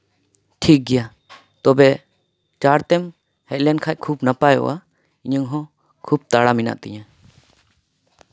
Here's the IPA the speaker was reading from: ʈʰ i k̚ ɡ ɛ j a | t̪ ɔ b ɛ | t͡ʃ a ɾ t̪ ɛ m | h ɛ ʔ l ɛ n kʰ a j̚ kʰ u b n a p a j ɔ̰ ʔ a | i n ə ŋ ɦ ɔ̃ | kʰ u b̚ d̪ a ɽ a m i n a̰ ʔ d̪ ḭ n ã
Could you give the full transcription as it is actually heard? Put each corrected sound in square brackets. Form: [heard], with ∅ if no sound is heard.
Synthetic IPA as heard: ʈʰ i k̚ ɡ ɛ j a | t̪ ɔ b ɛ | t͡ʃ a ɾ t̪ ɛ m | h ɛ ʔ l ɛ n kʰ a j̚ kʰ u b n a p a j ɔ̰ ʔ a | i [ɲ] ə ŋ ɦ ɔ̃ | kʰ u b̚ [t̪] a ɽ a m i n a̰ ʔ [t̪] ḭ [ɲ] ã